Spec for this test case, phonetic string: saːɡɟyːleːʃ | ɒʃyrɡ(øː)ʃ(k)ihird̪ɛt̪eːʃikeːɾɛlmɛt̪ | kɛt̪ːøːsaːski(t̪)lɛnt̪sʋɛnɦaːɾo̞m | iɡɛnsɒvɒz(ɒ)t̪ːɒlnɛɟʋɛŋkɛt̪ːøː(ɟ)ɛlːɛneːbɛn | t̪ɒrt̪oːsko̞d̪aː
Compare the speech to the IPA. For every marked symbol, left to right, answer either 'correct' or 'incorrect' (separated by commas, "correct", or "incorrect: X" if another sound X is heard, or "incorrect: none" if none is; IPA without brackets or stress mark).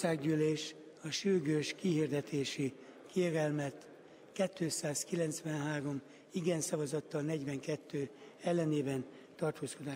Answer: correct, correct, incorrect: none, correct, incorrect: none